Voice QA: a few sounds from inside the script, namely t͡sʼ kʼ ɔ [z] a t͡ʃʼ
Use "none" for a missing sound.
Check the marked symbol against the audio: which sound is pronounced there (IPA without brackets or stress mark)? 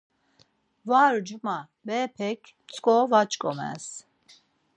v